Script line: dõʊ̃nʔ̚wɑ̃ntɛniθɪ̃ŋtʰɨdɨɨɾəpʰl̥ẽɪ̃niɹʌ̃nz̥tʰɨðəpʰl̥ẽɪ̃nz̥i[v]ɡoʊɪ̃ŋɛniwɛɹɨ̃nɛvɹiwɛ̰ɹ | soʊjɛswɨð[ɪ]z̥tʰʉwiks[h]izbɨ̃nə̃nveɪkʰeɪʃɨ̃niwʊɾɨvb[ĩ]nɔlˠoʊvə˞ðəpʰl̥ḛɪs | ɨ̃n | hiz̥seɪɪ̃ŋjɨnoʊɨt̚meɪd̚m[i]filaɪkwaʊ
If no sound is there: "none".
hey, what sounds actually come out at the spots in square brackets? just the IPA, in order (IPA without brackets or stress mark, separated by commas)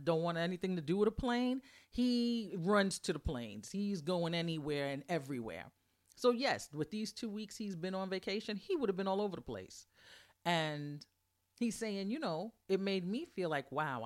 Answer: z, i, h, ɨ̃, i